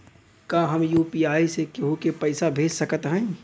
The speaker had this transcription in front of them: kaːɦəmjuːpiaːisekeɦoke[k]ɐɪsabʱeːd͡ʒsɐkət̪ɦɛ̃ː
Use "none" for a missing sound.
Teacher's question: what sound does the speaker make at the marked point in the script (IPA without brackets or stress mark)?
p